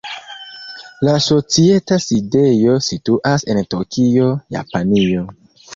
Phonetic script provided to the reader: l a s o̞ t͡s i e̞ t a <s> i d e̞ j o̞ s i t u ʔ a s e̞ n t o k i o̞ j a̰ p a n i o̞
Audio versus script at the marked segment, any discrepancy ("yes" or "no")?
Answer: no